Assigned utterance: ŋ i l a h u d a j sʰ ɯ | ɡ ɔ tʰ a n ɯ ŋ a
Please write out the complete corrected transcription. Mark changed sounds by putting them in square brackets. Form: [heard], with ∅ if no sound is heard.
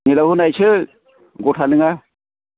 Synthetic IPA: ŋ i l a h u [n] a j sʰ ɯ | ɡ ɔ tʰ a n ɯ ŋ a